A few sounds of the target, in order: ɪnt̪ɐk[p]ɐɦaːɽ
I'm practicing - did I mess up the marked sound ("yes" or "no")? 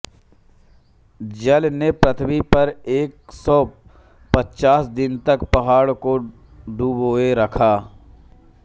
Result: no